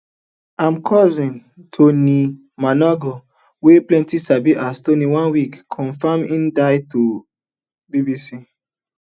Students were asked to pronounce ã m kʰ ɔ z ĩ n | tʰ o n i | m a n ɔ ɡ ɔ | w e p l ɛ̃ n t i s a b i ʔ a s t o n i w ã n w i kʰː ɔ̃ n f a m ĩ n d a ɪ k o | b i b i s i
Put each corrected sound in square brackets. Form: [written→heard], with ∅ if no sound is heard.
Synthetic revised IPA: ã m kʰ ɔ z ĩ n | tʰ o n i | m a n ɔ ɡ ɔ | w e p l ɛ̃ n t i s a b i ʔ a s t o n i w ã n w i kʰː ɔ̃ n f a m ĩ n d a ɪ [k→t] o | b i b i s i